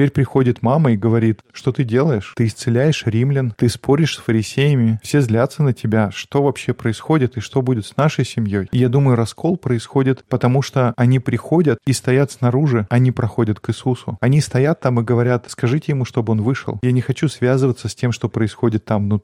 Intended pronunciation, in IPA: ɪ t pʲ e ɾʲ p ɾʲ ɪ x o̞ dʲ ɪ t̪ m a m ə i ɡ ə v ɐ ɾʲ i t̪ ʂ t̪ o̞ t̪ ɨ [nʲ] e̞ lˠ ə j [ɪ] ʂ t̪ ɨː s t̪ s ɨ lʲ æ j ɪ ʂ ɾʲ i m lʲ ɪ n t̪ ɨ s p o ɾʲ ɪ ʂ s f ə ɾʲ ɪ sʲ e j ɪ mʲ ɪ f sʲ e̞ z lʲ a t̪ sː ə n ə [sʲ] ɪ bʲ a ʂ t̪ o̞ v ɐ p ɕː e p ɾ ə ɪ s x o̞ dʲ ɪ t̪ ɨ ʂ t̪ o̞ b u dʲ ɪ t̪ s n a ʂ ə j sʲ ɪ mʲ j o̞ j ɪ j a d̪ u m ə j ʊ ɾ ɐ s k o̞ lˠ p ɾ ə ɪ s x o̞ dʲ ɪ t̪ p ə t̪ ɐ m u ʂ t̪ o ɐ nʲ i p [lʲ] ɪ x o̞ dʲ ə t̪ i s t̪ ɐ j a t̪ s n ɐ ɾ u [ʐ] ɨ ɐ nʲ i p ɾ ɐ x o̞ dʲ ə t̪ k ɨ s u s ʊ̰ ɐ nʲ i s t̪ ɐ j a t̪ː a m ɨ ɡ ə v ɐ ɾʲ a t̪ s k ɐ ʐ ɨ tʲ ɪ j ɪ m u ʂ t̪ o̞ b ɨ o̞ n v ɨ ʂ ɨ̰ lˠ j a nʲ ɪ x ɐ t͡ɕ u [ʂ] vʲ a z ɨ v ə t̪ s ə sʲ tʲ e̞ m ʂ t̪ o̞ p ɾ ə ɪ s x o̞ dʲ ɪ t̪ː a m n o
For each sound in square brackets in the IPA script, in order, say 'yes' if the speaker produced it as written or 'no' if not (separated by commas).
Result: no, yes, no, no, yes, no